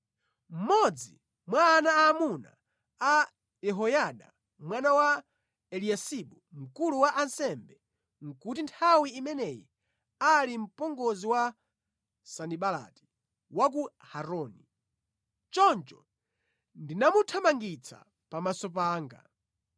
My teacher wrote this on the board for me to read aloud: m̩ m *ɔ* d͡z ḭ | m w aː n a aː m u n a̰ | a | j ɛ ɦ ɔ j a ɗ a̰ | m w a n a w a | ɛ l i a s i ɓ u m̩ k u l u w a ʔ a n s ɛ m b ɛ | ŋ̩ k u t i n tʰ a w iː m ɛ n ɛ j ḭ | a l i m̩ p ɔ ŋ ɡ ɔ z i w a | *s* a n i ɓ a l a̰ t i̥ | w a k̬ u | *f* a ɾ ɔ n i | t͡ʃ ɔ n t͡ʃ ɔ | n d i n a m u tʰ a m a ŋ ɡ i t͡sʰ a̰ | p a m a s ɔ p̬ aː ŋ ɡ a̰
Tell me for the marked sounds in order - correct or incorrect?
correct, correct, incorrect: h

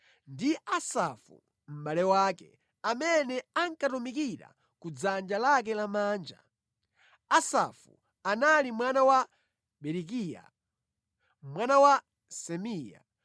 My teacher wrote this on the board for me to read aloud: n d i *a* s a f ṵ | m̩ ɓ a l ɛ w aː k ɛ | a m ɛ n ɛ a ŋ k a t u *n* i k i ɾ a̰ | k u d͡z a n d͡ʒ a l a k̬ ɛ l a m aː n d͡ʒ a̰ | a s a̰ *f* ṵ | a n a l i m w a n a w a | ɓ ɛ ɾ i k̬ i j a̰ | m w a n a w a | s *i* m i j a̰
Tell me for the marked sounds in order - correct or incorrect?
correct, incorrect: m, correct, incorrect: ɛ

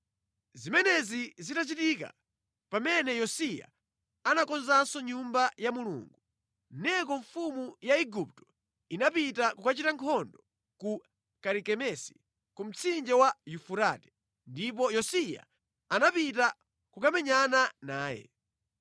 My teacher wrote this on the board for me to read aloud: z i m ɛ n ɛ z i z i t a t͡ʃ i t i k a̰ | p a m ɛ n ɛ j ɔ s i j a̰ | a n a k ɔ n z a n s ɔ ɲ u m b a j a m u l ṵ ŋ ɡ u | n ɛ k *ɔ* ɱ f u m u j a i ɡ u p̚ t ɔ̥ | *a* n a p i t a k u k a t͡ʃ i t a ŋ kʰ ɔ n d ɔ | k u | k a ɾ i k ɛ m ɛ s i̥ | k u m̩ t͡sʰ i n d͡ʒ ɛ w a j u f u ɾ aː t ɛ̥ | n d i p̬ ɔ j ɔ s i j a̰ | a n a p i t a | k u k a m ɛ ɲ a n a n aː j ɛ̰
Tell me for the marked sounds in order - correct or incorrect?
correct, incorrect: i

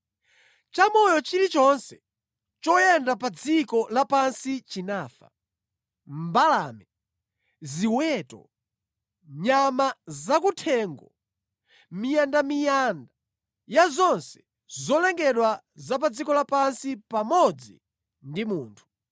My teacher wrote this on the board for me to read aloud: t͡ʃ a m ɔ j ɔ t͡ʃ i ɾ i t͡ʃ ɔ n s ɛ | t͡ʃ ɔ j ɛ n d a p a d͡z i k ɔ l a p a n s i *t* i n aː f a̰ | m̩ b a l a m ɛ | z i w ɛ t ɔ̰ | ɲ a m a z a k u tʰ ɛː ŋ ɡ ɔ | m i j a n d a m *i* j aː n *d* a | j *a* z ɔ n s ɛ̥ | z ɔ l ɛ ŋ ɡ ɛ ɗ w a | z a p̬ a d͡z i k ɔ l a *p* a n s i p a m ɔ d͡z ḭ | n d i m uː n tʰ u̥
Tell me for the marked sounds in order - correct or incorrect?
incorrect: t͡ʃ, correct, correct, correct, correct

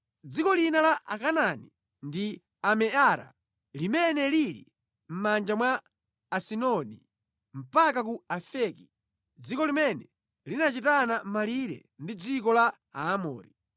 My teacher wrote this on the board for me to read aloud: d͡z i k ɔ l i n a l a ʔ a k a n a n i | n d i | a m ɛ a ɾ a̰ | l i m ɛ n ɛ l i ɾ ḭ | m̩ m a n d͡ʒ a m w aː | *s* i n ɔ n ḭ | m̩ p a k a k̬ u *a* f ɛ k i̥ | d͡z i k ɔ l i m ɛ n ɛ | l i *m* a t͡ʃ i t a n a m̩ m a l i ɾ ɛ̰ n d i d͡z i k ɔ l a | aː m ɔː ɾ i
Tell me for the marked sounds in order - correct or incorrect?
correct, correct, incorrect: n

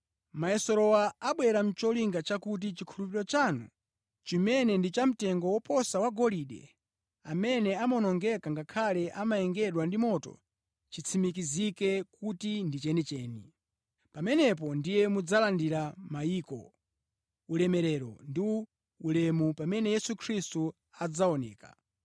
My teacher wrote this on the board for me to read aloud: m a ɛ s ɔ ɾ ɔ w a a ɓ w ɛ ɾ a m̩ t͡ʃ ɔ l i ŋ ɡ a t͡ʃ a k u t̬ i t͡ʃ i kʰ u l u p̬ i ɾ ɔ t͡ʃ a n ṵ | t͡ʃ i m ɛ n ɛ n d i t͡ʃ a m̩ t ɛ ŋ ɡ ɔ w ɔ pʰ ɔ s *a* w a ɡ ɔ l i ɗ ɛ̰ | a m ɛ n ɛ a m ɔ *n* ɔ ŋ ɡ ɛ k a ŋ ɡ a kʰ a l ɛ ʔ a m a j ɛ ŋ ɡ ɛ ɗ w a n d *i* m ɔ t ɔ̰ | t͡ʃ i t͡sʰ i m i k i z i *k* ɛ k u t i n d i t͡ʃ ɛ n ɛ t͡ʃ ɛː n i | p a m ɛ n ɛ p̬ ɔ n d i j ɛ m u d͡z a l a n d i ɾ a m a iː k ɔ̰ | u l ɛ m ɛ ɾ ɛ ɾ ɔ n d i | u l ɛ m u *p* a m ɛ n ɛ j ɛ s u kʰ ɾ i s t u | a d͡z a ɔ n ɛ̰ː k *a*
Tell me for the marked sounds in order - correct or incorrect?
correct, correct, correct, correct, correct, correct

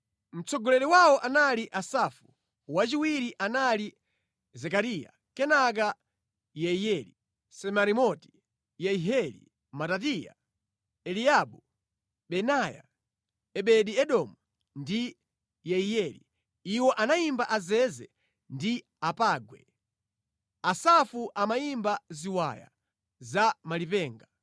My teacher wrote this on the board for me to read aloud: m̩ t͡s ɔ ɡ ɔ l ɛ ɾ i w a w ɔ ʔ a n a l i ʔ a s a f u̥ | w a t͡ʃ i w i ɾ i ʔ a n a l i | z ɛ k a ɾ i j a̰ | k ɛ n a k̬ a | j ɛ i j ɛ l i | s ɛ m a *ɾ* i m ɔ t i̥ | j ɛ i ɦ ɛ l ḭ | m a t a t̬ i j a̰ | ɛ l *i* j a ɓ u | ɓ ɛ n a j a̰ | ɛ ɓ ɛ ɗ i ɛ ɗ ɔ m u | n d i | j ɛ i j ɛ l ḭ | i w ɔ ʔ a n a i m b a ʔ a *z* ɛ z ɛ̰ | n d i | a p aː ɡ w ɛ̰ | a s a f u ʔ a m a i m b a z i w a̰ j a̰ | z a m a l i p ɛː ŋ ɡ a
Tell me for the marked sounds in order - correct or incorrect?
correct, correct, correct

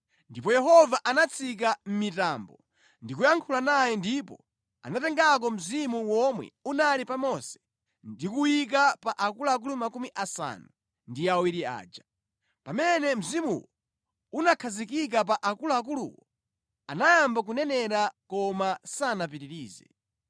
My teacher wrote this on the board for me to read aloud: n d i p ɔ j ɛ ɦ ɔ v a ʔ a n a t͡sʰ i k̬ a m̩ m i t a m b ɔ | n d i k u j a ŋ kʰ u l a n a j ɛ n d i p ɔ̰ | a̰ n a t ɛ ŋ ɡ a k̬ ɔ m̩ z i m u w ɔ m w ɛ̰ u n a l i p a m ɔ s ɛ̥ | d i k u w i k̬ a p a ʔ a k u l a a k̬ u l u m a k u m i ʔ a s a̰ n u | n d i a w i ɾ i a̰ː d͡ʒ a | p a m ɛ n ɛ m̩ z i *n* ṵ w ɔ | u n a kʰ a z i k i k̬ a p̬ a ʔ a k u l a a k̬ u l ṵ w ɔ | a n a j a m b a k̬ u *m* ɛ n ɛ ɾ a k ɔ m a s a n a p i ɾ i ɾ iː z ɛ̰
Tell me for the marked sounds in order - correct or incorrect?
incorrect: m, incorrect: n

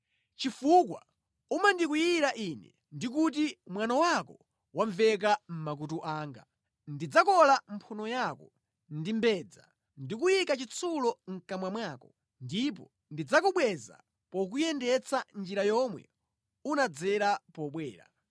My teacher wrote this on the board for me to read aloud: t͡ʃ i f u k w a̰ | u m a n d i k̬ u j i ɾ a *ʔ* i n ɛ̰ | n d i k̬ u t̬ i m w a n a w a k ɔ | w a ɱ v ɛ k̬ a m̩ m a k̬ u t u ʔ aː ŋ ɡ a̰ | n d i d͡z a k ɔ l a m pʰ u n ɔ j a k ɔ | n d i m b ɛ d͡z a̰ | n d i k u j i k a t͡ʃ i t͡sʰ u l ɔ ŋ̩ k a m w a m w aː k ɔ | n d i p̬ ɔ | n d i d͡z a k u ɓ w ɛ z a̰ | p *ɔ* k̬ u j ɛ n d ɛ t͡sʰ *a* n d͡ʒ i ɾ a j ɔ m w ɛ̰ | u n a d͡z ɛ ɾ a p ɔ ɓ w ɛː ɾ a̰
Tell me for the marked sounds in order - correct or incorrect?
correct, correct, correct

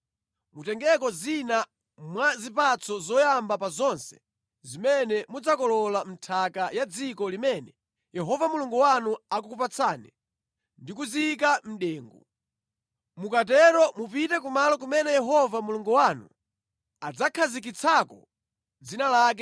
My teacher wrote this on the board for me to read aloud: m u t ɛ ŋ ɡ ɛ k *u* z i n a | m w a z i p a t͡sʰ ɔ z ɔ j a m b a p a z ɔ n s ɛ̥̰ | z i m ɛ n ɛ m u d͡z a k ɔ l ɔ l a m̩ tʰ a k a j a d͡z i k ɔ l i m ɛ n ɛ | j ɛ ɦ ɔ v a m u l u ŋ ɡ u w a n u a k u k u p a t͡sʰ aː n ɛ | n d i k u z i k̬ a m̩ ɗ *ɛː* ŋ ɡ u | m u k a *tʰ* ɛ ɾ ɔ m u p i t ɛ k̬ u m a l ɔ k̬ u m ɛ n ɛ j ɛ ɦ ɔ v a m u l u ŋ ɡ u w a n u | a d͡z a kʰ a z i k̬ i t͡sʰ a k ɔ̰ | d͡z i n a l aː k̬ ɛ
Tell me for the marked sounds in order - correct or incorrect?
incorrect: ɔ, correct, incorrect: t

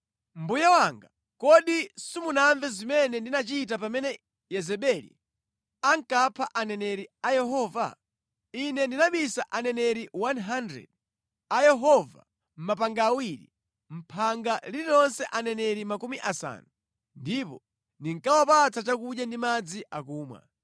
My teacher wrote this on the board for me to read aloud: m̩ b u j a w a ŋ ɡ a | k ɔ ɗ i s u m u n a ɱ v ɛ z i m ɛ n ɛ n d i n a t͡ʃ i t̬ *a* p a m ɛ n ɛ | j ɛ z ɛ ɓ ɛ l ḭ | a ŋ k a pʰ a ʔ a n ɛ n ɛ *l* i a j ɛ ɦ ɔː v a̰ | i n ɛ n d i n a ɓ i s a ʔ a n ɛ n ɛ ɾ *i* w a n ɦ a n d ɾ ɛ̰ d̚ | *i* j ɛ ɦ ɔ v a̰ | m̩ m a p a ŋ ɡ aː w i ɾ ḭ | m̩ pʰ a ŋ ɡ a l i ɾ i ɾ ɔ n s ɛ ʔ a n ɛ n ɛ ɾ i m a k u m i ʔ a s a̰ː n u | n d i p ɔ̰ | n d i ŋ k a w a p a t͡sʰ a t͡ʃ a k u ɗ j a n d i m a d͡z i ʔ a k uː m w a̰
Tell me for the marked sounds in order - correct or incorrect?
correct, incorrect: ɾ, correct, incorrect: a

